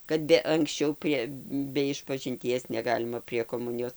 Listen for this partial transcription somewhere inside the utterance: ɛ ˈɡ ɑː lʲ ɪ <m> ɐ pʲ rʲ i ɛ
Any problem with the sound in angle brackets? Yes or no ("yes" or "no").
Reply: no